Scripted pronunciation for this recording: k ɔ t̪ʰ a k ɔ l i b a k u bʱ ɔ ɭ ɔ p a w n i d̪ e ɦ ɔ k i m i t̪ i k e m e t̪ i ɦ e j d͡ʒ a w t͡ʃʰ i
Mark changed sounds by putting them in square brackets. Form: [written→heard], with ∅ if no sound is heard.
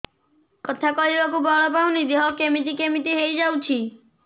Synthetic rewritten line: k ɔ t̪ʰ a k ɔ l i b a k u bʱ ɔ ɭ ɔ p a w n i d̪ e ɦ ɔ k [i→e] m i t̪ i k e m [e→i] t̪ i ɦ e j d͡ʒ a w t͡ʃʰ i